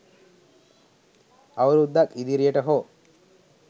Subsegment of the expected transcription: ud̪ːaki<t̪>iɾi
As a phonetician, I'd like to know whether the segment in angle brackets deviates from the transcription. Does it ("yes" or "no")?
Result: yes